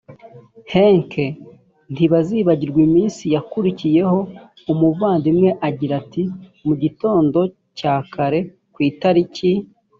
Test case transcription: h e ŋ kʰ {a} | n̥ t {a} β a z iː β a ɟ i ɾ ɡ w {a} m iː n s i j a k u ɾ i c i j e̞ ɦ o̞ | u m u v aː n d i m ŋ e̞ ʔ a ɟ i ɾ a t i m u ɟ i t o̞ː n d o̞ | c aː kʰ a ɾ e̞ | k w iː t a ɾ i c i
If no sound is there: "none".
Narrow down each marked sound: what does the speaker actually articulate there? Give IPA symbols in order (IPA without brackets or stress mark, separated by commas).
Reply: e, i, i